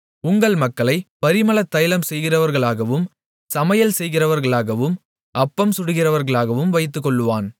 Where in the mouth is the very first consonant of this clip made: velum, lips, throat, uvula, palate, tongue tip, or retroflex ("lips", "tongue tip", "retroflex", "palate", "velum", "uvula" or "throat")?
velum